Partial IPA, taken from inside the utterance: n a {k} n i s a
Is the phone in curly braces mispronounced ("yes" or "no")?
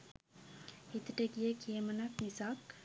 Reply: no